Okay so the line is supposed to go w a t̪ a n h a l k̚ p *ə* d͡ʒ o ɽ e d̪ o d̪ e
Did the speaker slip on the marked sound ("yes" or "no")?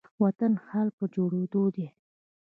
no